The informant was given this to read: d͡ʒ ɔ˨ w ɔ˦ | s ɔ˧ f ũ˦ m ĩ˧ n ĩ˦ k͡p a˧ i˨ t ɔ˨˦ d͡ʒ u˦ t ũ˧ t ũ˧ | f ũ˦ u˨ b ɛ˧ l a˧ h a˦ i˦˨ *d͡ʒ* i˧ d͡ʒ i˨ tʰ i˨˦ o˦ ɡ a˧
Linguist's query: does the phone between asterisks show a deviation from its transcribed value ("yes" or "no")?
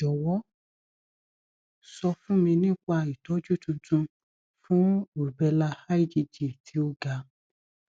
no